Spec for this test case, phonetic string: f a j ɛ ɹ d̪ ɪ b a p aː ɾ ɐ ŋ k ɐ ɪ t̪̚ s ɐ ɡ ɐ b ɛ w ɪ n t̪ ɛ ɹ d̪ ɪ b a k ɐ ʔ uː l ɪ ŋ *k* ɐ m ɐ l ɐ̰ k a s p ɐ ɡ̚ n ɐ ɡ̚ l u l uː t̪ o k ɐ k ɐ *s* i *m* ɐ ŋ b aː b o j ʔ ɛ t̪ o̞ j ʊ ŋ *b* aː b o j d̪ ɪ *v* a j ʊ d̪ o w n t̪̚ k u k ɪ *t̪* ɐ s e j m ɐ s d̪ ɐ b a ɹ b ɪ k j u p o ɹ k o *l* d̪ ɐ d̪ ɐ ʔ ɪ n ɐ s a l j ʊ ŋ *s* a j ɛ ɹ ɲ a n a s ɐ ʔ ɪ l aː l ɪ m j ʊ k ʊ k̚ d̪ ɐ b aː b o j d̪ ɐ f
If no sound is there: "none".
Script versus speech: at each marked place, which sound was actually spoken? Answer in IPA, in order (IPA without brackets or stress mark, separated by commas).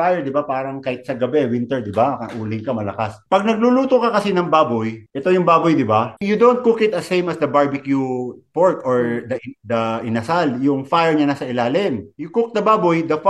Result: k, s, n, b, b, t̪, ɹ, f